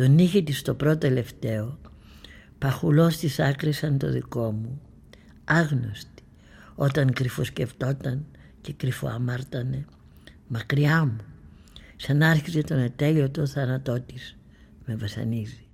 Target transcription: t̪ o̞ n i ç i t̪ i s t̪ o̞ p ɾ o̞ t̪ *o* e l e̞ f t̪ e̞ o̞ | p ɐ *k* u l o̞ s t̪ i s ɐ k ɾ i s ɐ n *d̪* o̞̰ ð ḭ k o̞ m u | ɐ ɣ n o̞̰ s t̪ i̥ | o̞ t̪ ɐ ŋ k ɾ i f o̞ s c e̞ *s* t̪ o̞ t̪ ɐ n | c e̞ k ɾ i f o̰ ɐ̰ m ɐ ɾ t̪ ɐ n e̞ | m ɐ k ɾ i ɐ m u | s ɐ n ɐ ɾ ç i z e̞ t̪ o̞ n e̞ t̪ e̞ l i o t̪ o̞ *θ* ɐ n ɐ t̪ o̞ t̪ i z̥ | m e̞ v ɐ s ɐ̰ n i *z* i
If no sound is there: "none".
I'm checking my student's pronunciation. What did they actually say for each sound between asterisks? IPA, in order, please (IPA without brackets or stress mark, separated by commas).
o, x, t̪, f, θ, z